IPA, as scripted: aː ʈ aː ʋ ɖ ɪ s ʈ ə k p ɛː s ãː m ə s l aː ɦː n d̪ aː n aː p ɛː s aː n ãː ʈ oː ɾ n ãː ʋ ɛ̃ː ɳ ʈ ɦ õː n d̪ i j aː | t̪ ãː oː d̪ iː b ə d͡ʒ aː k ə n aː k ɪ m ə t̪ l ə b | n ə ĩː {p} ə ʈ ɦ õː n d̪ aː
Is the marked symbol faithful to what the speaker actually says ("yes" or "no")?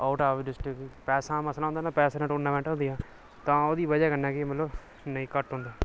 no